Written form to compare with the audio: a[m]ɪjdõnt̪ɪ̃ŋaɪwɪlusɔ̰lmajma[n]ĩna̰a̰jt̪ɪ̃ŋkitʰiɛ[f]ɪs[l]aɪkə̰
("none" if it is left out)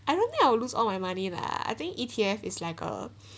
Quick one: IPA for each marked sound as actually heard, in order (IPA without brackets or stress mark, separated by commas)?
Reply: none, n, f, l